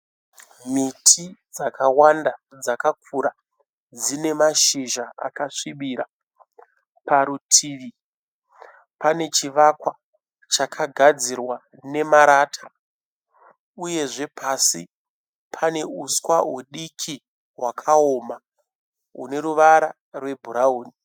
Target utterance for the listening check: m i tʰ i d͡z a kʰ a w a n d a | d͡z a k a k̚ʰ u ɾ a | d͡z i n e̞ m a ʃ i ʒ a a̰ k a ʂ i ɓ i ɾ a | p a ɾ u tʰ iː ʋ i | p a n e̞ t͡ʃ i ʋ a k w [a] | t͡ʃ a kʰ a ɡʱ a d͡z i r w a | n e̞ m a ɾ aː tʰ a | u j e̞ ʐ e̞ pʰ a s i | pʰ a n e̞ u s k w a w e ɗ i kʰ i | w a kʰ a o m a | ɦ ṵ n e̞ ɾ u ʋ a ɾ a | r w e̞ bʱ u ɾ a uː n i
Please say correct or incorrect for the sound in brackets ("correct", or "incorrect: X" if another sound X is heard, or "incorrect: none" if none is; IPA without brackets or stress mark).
correct